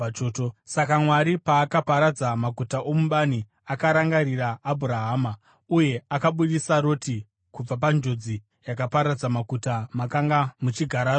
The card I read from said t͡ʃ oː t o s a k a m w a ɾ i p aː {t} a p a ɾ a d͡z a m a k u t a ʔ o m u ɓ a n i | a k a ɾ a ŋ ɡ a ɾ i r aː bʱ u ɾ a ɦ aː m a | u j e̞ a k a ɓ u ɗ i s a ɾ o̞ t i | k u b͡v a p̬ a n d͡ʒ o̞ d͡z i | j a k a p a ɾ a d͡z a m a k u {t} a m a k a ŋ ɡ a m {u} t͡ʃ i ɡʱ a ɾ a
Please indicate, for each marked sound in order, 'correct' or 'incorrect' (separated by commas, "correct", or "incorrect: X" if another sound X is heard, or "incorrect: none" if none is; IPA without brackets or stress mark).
incorrect: k, correct, correct